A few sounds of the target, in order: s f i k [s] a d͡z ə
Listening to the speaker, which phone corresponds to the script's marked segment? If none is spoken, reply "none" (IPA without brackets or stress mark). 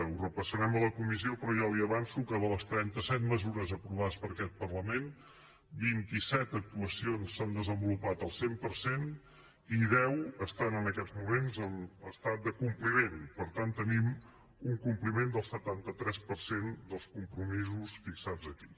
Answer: s